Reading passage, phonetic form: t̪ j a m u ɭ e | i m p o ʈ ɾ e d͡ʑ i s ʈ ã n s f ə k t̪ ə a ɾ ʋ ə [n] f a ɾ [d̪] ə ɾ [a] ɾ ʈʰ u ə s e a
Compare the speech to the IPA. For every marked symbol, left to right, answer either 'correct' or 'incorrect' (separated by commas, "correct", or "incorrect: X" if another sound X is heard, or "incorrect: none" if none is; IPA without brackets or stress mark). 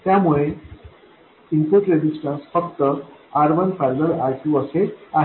correct, correct, correct